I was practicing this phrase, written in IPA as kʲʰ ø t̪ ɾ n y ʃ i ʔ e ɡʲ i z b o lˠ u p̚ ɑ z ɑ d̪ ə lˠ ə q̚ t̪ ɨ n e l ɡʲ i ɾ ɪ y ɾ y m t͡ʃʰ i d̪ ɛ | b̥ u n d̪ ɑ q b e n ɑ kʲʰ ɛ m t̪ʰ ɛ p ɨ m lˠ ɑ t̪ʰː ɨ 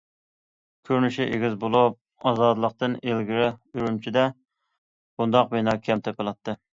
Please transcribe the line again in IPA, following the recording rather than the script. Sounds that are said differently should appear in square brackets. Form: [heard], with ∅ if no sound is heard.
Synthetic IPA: kʲʰ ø [∅] ɾ n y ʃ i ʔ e ɡʲ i z b o lˠ u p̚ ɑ z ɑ d̪ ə lˠ ə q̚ t̪ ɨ n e l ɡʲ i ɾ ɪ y ɾ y m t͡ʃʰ i d̪ ɛ | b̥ u n d̪ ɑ q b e n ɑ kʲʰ ɛ m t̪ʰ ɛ p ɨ [∅] lˠ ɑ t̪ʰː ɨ